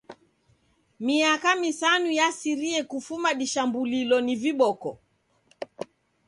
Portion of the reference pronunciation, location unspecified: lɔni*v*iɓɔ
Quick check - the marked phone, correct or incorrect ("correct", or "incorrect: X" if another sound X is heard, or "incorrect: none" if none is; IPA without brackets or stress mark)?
correct